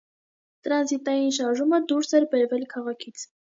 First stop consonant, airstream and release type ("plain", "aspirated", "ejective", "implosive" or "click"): plain